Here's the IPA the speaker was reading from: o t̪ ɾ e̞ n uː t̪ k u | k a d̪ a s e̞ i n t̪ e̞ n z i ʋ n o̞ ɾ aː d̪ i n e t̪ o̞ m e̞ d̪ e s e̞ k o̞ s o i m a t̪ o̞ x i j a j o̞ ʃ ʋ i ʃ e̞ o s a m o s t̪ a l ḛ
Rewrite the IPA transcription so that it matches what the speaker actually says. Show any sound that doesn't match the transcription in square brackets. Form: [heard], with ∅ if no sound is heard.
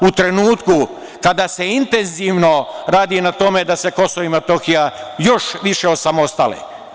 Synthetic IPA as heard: [u] t̪ ɾ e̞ n uː t̪ k u | k a d̪ a s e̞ i n t̪ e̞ n z i ʋ n o̞ ɾ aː d̪ i n [a] t̪ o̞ m e̞ d̪ [a] s e̞ k o̞ s o i m a t̪ o̞ x i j a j o̞ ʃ ʋ i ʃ e̞ o s a m o s t̪ a l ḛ